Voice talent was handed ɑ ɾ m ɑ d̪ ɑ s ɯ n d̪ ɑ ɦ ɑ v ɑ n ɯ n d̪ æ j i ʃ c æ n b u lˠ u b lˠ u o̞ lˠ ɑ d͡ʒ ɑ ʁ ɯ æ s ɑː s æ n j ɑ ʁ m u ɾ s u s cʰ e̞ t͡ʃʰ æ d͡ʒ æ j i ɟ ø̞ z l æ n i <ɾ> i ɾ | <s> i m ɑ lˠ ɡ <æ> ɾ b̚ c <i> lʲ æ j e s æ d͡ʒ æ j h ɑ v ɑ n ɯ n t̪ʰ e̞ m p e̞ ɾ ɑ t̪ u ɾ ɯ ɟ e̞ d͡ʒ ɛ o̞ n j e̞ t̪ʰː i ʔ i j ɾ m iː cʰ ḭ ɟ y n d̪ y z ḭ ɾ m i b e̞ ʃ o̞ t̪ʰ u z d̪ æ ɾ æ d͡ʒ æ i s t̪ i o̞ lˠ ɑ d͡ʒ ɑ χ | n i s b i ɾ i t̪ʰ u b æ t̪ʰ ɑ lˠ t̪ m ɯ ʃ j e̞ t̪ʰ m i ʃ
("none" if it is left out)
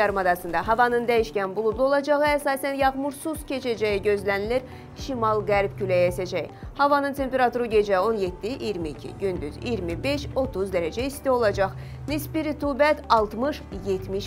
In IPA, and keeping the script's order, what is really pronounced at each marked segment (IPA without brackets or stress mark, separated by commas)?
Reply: l, ʃ, æ, y